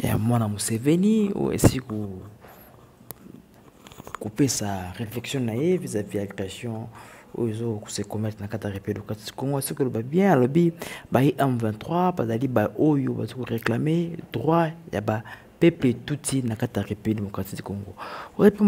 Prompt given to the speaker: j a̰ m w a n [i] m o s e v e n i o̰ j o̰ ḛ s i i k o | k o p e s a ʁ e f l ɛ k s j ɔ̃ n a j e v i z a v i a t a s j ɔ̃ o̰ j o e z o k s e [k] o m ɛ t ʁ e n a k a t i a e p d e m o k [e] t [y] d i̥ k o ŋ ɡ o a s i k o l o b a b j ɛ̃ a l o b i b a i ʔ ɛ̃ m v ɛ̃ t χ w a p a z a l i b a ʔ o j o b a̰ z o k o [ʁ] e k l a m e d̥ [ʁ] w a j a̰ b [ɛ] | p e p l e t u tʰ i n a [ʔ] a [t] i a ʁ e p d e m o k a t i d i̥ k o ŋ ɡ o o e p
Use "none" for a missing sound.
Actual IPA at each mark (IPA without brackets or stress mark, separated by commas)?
a, k, a, i, ʁ, ʁ, a, k, t